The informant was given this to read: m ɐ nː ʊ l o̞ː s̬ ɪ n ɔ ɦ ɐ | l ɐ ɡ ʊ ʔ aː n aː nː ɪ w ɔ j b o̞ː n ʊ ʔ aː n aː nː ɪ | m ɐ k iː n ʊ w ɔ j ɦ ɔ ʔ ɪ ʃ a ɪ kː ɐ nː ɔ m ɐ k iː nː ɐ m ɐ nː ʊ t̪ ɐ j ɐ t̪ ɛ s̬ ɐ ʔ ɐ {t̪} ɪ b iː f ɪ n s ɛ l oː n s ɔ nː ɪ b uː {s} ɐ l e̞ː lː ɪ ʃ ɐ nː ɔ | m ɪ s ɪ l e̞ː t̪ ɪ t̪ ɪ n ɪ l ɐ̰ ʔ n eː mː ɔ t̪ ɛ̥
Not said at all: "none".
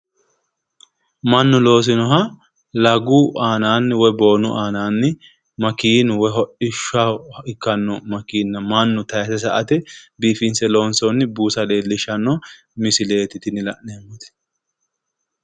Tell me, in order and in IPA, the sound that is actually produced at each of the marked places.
t̪, s

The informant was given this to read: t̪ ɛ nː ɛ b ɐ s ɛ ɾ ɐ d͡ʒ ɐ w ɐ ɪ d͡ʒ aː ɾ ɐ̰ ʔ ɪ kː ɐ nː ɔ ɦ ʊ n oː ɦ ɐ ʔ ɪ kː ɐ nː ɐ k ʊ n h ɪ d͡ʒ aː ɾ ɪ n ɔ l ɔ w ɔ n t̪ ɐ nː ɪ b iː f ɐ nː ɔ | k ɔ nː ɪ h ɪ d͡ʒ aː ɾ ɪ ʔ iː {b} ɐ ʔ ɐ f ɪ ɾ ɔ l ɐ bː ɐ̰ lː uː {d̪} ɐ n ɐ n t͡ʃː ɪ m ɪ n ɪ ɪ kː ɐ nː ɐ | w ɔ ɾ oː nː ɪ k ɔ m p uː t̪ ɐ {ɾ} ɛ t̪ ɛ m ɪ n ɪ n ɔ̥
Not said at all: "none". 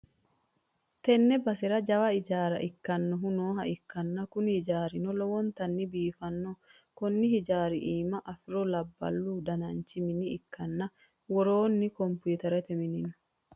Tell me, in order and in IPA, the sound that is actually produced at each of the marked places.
m, d̪, ɾ

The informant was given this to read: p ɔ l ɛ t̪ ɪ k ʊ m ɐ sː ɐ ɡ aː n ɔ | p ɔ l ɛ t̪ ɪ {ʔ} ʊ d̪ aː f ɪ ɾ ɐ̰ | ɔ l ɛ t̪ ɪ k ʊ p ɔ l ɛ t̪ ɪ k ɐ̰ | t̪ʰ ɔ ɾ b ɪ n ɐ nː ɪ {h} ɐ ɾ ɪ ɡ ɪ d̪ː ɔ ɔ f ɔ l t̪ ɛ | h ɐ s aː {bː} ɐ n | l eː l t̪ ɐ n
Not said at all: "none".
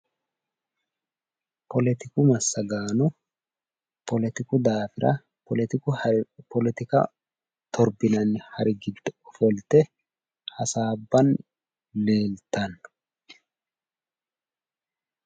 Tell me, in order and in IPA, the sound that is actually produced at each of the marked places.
k, h, bː

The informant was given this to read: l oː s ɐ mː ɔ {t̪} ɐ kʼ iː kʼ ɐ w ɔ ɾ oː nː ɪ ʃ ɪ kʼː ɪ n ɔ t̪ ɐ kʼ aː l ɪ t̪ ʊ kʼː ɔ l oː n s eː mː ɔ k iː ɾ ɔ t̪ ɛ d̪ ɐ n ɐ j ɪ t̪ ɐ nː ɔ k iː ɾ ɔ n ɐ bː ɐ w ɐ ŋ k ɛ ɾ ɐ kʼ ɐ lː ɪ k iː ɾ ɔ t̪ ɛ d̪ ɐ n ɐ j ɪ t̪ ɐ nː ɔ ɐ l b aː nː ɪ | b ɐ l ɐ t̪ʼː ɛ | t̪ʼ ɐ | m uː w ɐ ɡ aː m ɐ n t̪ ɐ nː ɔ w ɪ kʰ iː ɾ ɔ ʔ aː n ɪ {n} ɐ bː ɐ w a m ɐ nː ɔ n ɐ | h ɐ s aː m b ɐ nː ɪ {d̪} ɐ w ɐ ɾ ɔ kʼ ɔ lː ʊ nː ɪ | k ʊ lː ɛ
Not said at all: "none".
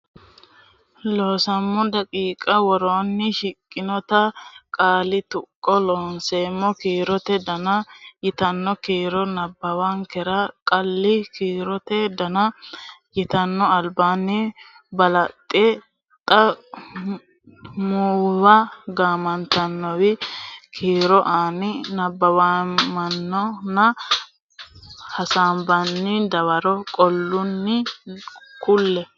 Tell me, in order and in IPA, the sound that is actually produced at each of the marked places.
d̪, n, d̪

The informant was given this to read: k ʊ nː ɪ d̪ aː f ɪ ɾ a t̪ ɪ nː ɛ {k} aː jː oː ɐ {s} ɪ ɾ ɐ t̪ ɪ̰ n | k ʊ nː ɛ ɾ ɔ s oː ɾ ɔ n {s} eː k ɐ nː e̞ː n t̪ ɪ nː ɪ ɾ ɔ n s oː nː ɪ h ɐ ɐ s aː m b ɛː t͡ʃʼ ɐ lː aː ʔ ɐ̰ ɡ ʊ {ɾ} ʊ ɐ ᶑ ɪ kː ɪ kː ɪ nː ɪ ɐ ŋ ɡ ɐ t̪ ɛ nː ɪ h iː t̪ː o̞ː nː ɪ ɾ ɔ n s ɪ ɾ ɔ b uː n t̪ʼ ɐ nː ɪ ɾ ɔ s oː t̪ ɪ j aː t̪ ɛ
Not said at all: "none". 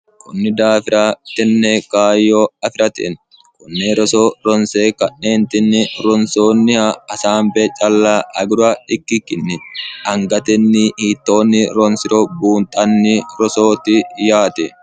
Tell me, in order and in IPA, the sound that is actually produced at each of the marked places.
k, f, s, ɾ

